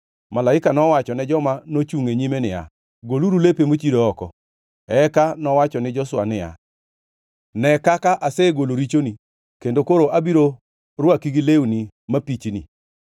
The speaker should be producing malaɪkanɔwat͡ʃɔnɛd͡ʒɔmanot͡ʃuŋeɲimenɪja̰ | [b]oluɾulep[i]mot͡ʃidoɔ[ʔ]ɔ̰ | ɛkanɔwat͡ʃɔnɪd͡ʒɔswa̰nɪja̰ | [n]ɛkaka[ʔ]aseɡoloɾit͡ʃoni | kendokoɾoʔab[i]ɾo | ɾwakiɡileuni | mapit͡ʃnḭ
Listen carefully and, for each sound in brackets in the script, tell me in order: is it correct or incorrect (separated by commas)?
incorrect, incorrect, incorrect, correct, correct, correct